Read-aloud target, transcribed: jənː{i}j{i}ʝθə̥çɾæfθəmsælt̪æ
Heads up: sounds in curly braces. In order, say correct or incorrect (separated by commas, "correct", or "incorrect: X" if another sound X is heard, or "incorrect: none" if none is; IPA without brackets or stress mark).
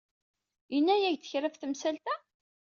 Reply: incorrect: æ, incorrect: æ